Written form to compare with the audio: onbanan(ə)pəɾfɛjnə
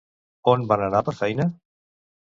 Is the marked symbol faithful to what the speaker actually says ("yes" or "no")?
no